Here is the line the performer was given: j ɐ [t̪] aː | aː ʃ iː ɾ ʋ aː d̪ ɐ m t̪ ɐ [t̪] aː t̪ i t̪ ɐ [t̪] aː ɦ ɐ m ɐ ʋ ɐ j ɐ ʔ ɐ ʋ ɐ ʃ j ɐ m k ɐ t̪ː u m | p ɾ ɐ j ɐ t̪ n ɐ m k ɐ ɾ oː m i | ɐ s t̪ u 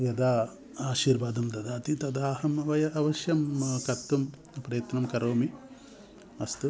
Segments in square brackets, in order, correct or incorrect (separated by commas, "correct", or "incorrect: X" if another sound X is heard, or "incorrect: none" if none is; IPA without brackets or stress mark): incorrect: d̪, incorrect: d̪, incorrect: d̪